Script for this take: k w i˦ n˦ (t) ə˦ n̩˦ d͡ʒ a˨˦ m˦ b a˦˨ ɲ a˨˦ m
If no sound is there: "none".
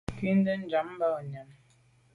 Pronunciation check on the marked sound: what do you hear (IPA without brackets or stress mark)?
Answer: d